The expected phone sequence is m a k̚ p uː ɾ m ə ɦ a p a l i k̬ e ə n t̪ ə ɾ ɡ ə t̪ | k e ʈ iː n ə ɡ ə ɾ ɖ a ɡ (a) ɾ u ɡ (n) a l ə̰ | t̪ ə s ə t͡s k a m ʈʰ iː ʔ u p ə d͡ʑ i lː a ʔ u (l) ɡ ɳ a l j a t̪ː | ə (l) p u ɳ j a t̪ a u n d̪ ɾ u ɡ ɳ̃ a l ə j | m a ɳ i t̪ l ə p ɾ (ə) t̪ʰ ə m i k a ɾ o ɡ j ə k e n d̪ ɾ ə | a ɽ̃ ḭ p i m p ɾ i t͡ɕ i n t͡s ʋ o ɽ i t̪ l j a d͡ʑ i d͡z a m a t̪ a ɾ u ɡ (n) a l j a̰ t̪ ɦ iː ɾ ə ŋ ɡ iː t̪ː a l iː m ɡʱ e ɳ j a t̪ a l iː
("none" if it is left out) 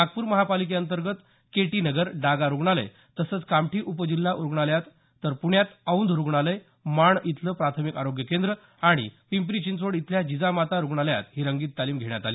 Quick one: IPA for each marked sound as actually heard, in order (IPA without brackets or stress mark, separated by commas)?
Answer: a, ɳ, ɾ, ɾ, a, ɳ